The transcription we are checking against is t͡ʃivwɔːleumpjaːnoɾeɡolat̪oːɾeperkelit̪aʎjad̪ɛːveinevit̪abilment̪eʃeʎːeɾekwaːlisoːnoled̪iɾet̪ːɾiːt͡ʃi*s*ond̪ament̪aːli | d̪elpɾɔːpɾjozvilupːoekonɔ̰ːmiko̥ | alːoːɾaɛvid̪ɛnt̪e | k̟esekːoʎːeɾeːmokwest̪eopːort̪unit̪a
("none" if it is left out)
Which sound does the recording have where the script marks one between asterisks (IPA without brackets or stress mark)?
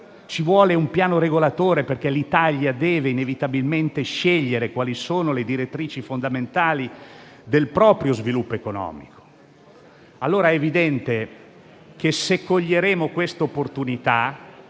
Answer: f